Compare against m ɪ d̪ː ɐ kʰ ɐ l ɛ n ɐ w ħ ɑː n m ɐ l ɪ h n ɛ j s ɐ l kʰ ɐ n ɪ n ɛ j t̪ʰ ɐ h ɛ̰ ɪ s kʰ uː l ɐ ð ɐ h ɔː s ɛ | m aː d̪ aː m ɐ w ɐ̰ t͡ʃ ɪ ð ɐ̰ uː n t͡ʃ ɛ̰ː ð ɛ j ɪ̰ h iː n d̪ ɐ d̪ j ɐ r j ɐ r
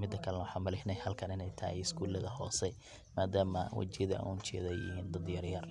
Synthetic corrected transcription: m ɪ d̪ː ɐ kʰ ɐ l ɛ n ɐ w ħ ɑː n m ɐ l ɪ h n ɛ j h ɐ l kʰ ɐ n ɪ n ɛ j t̪ʰ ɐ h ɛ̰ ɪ s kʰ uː l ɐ ð ɐ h ɔː s ɛ | m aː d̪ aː m ɐ w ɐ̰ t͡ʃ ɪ ð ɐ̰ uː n t͡ʃ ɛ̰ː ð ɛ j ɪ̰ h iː n d̪ ɐ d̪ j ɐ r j ɐ r